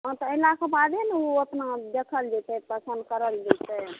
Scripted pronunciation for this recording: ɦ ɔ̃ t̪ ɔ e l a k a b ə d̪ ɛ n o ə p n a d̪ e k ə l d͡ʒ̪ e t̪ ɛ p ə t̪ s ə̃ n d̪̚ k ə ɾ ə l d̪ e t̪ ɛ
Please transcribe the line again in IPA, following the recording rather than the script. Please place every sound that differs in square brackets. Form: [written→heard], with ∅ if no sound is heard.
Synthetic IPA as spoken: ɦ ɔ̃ t̪ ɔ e l a k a b [ə→a] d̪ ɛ n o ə p n a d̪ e [k→kʰ] ə l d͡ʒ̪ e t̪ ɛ p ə [t̪→∅] s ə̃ n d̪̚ k ə ɾ ə l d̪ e t̪ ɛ